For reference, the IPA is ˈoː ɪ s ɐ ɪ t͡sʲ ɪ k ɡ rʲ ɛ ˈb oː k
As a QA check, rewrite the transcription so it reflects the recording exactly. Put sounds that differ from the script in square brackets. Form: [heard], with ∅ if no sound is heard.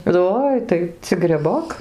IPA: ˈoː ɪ [t] ɐ ɪ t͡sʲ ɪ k ɡ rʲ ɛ ˈb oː k